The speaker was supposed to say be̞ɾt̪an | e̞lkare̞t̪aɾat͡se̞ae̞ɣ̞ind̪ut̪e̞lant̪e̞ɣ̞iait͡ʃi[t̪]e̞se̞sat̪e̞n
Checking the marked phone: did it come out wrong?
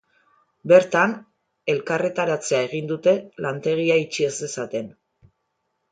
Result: yes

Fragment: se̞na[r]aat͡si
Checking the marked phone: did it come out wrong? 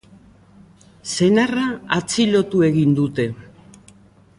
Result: no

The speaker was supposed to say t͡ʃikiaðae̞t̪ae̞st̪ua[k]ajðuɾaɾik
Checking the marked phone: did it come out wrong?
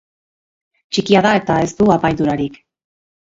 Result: yes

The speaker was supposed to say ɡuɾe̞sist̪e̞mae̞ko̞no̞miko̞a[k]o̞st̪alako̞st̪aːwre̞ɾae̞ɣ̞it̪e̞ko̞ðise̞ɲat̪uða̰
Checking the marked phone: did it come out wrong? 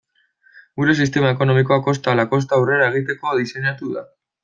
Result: no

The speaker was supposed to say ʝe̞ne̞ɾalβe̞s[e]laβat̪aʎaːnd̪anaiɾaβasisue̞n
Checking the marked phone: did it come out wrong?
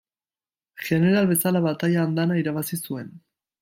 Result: yes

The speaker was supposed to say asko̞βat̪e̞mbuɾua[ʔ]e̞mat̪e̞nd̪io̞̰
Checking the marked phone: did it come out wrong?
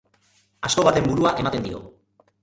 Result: no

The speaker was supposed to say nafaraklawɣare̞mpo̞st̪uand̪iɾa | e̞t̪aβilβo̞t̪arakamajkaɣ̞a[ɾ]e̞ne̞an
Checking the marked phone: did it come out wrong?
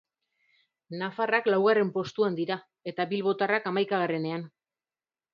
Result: yes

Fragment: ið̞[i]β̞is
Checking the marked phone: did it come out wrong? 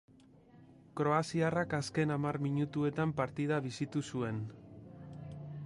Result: yes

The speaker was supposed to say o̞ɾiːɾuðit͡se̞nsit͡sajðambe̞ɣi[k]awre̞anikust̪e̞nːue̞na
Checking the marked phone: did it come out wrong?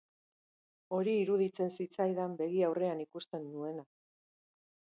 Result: yes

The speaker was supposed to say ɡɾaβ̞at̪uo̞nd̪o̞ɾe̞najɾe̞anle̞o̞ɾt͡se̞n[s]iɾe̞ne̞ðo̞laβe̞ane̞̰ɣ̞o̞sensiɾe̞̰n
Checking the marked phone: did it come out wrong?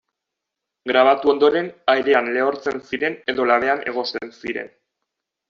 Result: no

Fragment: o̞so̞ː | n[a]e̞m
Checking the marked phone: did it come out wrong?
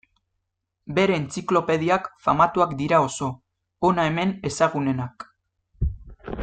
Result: no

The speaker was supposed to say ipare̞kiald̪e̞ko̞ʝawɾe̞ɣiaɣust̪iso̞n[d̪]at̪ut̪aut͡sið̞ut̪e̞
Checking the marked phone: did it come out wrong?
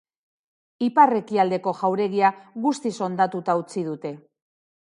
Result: no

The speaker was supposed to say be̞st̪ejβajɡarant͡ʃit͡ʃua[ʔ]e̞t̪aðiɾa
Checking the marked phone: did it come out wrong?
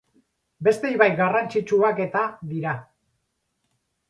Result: yes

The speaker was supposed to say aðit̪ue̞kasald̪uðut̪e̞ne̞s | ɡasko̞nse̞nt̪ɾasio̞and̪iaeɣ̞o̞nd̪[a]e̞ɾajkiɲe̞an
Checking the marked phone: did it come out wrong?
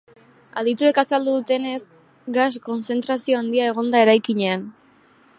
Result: no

